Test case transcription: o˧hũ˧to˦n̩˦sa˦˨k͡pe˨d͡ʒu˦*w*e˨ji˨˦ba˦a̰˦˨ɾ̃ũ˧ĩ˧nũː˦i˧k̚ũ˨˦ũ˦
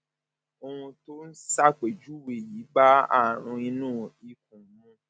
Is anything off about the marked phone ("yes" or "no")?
no